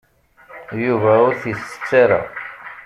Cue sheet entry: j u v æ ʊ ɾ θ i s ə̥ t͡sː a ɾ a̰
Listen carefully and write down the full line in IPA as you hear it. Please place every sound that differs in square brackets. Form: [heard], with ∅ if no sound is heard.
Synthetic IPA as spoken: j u v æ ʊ ɾ θ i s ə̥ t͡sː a ɾ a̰